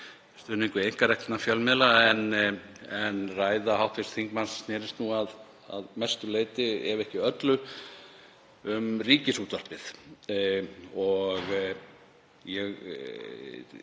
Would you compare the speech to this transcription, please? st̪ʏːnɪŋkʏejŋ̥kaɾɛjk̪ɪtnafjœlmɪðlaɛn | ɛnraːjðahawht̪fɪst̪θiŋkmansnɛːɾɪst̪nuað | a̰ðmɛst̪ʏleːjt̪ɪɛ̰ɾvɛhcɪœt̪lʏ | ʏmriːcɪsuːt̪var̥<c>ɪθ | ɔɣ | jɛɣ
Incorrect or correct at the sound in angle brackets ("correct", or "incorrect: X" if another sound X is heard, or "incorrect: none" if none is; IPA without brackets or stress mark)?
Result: incorrect: p